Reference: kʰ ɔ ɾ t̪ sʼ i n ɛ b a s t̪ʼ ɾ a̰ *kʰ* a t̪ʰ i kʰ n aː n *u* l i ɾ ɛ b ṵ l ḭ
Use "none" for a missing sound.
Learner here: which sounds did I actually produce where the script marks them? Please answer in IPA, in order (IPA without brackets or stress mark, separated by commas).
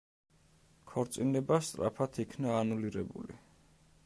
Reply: pʰ, u